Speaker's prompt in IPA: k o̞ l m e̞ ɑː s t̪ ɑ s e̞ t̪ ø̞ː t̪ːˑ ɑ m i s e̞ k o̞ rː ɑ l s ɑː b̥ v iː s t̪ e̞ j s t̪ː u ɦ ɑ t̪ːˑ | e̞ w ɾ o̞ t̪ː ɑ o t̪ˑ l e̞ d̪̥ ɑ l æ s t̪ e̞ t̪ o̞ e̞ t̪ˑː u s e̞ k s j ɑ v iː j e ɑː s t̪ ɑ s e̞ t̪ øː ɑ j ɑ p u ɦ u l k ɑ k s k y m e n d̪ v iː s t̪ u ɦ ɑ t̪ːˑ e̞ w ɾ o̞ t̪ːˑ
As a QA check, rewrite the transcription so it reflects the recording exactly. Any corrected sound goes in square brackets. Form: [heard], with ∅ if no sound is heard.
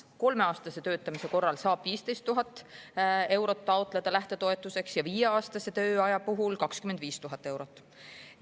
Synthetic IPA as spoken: k o̞ l m e̞ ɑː s t̪ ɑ s e̞ t̪ ø̞ː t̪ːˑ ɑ m i s e̞ k o̞ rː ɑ l s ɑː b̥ v iː s t̪ e̞ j s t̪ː u ɦ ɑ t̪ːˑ | e̞ w ɾ o̞ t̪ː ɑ o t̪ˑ l e̞ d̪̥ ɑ l æ [h] t̪ e̞ t̪ o̞ e̞ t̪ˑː u s e̞ k s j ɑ v iː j e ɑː s t̪ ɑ s e̞ t̪ øː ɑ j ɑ p u ɦ u l k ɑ k s k y m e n d̪ v iː s t̪ u ɦ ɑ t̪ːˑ e̞ w ɾ o̞ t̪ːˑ

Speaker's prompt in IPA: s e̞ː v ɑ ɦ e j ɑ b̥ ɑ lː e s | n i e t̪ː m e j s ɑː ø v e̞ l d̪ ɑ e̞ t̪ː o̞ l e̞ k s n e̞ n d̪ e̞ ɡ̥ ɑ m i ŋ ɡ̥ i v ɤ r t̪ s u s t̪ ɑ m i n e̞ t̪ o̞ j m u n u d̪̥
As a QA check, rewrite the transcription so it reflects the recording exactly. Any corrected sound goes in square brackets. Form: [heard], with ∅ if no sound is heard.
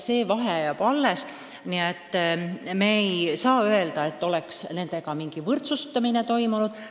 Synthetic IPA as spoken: s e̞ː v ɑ ɦ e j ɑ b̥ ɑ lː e s | n i e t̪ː m e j s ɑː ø [∅] e̞ l d̪ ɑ e̞ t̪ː o̞ l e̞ k s n e̞ n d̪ e̞ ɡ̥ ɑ m i ŋ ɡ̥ i v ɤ r t̪ s u s t̪ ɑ m i n e̞ t̪ o̞ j m u n u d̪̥

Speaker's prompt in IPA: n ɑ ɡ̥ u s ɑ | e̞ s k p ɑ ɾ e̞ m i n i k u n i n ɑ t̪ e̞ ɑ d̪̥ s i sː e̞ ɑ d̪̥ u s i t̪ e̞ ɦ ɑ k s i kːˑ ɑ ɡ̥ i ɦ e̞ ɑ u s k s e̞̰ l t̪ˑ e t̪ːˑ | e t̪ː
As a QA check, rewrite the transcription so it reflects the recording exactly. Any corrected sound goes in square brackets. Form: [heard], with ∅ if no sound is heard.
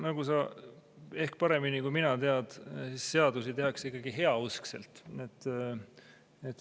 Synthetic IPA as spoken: n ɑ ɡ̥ u s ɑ | e̞ [h] k p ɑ ɾ e̞ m i n i k u [m] i n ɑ t̪ e̞ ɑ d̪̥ s i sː e̞ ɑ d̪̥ u s i t̪ e̞ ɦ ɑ k s i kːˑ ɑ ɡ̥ i ɦ e̞ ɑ u s k s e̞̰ l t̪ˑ e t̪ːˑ | e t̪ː

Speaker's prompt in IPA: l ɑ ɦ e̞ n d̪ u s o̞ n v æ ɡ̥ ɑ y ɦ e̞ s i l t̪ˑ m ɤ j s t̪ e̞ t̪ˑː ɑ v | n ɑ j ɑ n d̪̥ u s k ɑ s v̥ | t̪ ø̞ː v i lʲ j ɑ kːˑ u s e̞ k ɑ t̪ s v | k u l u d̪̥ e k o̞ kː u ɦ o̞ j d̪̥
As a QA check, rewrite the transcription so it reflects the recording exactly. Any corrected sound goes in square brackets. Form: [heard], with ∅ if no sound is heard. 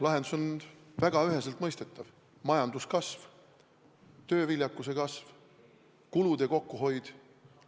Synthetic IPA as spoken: l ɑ ɦ e̞ n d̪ u s o̞ n v æ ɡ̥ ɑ y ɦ e̞ s [e] l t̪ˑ m ɤ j s t̪ e̞ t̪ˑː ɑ v | [m] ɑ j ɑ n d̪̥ u s k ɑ s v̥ | t̪ ø̞ː v i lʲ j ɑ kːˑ u s e̞ k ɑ [∅] s v | k u l u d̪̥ e k o̞ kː u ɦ o̞ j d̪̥

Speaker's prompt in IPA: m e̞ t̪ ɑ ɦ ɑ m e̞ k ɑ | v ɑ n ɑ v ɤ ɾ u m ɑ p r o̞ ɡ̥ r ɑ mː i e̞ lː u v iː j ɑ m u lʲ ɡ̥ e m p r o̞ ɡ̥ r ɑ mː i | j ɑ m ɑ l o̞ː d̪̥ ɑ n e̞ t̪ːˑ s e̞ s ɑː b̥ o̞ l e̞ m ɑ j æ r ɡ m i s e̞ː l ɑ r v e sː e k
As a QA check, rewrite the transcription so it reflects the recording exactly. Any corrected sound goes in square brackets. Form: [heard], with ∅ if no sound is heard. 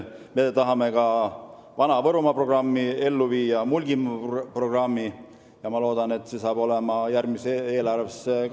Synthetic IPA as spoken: m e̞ t̪ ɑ ɦ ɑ m e̞ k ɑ | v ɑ n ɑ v ɤ ɾ u m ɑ p r o̞ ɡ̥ r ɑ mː i e̞ lː u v iː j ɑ m u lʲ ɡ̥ [i] m p r o̞ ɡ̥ r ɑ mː i | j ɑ m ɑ l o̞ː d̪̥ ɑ n e̞ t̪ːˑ s e̞ s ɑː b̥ o̞ l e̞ m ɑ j æ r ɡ m i s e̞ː l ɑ r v e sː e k

